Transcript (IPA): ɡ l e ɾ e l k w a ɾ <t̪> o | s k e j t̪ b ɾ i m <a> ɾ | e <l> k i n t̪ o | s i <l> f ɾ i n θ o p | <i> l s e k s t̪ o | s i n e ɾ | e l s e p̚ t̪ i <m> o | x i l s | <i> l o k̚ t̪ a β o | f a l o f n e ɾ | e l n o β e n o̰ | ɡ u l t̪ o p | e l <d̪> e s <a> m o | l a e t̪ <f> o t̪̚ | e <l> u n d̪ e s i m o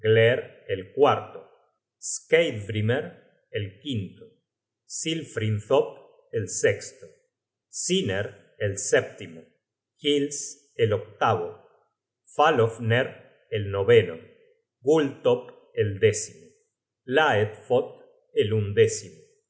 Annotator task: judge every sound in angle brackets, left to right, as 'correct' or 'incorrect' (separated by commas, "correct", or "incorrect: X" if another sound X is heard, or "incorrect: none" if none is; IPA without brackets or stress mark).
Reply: correct, incorrect: e, correct, correct, incorrect: e, correct, incorrect: e, correct, incorrect: i, correct, correct